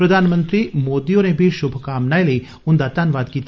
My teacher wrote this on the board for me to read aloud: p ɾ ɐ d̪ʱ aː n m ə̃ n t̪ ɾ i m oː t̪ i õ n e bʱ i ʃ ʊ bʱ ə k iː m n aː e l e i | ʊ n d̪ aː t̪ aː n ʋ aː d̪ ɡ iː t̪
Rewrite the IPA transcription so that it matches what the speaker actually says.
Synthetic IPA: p ɾ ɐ d̪ʱ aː n m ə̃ n t̪ ɾ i m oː d̪ i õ n e bʱ i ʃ ʊ bʱ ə k aː m n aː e l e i | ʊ n d̪ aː t̪ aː n ʋ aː d̪ k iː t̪